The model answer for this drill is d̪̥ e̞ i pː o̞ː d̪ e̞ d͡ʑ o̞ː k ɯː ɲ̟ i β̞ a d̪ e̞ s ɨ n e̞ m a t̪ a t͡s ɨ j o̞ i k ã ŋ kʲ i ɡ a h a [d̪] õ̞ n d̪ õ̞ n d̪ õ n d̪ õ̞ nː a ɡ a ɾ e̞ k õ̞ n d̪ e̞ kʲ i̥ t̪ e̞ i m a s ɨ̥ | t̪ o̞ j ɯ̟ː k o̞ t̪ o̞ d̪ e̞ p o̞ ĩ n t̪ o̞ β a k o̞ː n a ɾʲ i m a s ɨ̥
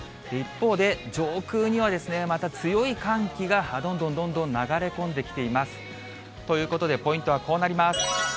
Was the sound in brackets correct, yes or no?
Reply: yes